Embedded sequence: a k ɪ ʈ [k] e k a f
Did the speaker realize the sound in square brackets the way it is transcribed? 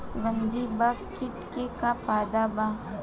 yes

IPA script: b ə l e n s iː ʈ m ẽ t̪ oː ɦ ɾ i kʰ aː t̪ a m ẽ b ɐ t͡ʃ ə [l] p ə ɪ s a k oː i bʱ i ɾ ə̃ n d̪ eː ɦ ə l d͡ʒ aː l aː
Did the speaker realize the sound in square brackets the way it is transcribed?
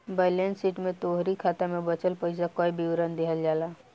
yes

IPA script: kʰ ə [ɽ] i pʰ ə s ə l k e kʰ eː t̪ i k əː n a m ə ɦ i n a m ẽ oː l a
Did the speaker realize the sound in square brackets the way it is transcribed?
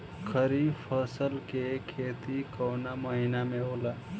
no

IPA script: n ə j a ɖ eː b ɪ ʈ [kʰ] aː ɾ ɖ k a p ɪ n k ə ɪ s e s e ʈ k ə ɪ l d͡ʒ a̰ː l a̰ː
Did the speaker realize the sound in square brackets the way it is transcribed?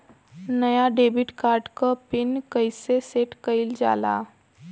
no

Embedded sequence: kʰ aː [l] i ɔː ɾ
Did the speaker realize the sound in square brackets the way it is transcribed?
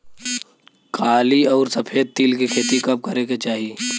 yes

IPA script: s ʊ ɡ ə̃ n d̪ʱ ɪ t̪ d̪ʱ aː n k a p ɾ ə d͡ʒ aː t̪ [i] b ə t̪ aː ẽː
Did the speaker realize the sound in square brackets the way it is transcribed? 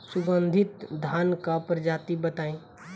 yes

